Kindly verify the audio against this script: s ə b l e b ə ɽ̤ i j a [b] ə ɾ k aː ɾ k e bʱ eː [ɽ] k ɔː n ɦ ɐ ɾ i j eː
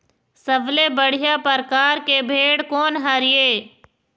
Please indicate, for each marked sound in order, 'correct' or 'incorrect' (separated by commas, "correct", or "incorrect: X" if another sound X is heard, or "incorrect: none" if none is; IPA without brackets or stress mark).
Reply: incorrect: p, correct